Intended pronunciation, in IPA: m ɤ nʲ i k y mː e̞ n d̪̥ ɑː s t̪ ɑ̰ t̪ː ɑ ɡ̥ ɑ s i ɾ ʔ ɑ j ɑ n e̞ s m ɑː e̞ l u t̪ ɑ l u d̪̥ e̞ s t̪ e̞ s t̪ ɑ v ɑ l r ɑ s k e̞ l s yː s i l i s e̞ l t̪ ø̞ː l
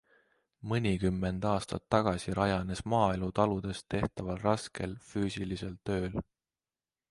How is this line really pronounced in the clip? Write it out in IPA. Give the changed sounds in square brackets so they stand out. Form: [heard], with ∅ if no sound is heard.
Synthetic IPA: m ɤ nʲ i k y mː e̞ n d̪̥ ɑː s t̪ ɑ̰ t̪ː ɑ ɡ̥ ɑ s i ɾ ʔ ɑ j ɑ n e̞ s m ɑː e̞ l u t̪ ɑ l u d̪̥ e̞ s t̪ e̞ [h] t̪ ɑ v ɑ l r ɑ s k e̞ l [f] yː s i l i s e̞ l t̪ ø̞ː l